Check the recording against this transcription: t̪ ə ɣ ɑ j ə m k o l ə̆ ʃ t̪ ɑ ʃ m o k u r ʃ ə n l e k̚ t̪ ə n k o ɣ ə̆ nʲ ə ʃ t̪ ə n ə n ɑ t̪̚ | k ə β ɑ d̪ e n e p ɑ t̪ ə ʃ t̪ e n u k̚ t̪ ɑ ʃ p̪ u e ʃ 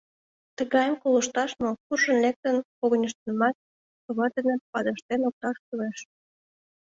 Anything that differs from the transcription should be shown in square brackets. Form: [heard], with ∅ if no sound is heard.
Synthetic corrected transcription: t̪ ə ɣ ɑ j ə m k o l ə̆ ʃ t̪ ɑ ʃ m o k u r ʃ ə n l e k̚ t̪ ə n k o ɣ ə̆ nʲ ə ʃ t̪ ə n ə [m] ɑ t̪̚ | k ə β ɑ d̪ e n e p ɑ [d̪] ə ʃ t̪ e n [o] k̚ t̪ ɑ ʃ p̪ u e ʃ